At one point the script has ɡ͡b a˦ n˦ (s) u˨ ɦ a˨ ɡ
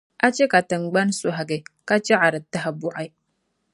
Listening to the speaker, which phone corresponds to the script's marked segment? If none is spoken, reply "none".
s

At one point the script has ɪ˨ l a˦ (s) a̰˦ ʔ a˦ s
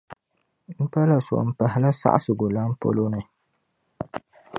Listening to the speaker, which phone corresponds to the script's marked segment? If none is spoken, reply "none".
s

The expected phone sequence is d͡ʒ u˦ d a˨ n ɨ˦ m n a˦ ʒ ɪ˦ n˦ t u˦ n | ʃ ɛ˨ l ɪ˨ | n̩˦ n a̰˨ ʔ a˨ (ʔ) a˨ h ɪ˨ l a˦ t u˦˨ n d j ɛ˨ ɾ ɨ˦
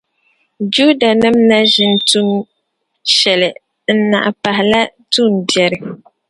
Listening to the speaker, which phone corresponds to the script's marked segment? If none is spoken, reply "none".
p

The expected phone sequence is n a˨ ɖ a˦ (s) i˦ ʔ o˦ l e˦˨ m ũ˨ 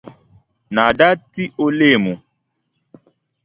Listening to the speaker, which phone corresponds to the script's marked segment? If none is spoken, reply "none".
t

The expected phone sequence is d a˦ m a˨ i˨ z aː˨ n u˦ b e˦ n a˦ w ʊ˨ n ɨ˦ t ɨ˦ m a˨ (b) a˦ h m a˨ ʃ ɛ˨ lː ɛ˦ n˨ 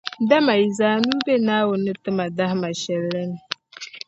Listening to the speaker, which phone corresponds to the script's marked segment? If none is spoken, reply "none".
d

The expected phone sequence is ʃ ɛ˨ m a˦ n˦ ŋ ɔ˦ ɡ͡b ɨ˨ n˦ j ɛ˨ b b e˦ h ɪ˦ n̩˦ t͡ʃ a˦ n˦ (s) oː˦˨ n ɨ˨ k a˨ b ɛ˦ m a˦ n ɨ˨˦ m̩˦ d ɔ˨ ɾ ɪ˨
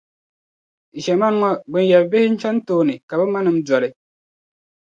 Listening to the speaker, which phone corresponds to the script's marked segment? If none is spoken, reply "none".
t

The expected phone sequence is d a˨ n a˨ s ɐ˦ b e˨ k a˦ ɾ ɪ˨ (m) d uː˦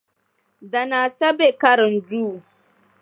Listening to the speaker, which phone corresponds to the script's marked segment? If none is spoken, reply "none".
n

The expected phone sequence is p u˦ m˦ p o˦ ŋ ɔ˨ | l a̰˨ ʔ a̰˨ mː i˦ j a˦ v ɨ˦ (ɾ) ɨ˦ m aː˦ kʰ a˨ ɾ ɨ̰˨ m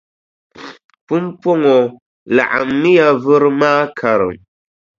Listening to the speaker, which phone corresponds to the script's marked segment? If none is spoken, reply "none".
ɾ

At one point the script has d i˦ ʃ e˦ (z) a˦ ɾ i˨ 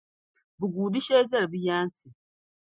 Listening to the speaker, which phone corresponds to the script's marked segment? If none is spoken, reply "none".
z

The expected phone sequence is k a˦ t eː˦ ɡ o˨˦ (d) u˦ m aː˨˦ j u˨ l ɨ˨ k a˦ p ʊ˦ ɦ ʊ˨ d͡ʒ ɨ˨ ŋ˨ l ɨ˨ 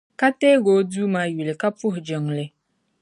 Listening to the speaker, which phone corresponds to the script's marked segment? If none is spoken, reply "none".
d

